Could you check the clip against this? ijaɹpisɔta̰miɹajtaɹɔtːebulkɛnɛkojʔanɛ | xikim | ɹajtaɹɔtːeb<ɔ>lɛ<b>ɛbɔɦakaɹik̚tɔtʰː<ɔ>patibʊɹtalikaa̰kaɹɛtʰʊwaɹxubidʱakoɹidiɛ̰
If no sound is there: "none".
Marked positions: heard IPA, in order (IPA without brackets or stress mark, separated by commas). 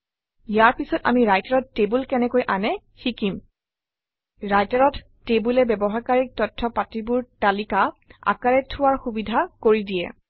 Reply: u, b, ɔ